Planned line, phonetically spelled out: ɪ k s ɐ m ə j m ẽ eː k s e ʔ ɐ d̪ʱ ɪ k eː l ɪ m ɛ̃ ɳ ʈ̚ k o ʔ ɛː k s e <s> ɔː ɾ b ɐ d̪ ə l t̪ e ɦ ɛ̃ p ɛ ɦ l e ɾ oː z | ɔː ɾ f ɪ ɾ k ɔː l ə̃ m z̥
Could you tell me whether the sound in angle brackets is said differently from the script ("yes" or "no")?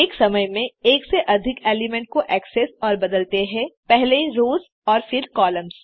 no